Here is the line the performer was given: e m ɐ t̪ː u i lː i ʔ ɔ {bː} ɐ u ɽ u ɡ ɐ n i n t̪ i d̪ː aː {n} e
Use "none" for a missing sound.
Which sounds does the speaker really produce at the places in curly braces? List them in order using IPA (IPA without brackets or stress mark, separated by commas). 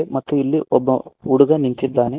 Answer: bː, n